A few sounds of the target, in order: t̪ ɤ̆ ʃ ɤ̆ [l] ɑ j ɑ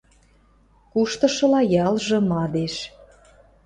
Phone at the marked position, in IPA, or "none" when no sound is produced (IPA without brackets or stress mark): l